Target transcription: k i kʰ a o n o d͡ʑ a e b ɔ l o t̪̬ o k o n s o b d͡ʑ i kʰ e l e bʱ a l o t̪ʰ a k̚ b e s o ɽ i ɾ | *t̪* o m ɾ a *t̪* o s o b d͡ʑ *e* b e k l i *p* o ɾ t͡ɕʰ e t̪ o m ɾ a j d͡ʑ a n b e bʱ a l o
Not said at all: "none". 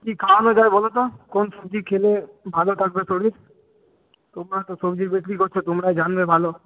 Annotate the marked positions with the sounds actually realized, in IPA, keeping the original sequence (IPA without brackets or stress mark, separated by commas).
t̪, t̪, i, k